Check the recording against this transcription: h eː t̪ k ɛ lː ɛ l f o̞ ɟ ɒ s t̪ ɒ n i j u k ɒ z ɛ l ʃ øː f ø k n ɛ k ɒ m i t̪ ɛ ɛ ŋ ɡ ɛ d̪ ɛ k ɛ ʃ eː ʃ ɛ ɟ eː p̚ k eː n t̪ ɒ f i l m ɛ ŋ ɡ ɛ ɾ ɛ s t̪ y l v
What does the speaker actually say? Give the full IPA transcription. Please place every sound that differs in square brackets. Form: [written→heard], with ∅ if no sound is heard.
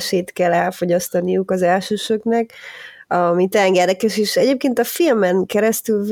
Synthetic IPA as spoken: [h→ʃ] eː t̪ k ɛ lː ɛ l f o̞ ɟ ɒ s t̪ ɒ n i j u k ɒ z ɛ l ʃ øː [f→ʃ] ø k n ɛ k ɒ m i t̪ ɛ ɛ ŋ ɡ ɛ d̪ ɛ k ɛ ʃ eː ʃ ɛ ɟ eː p̚ k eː n t̪ ɒ f i l m ɛ ŋ [ɡ→k] ɛ ɾ ɛ s t̪ y l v